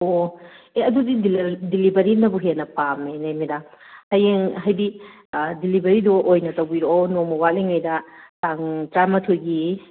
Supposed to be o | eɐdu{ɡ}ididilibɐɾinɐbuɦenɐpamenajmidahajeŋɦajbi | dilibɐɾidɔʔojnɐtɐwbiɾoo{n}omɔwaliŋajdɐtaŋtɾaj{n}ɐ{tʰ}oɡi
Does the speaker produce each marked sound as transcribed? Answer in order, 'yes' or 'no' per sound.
no, yes, no, yes

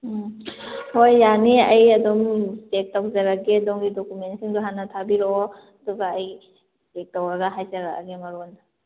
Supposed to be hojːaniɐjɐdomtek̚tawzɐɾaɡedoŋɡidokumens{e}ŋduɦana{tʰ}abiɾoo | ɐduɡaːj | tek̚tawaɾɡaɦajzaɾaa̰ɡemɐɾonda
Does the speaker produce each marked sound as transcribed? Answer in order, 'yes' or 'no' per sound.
no, yes

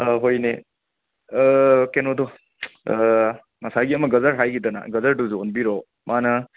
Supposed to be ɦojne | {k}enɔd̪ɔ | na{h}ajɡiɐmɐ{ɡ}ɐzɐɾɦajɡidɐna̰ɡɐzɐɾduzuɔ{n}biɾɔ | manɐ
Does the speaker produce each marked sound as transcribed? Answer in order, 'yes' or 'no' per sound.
yes, no, yes, yes

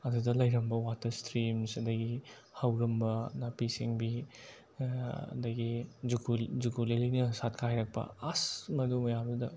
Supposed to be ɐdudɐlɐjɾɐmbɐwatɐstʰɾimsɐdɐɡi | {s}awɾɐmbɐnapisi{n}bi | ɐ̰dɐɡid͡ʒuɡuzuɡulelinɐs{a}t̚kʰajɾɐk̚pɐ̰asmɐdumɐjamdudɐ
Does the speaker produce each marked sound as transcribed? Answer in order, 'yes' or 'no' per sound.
no, no, yes

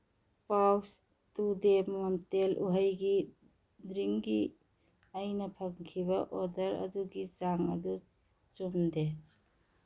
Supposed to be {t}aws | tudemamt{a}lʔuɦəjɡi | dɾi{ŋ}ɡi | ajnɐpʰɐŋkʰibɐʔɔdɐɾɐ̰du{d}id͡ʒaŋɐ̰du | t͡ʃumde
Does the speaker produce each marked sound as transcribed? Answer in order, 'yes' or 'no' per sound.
no, no, yes, no

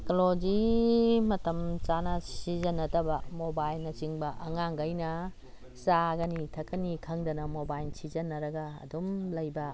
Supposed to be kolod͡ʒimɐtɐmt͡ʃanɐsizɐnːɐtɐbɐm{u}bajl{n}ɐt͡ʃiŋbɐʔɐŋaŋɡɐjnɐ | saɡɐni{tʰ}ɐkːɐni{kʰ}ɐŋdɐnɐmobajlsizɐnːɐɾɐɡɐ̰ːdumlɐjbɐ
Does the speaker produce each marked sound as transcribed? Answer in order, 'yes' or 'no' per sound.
no, yes, yes, yes

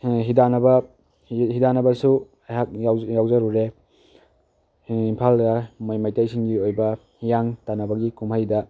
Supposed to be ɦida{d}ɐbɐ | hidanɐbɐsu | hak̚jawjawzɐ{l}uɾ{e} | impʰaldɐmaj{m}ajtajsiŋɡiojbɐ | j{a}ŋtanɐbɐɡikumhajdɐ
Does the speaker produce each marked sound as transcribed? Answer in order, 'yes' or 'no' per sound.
no, no, yes, yes, yes

